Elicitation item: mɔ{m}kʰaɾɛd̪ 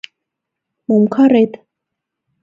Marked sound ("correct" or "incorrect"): correct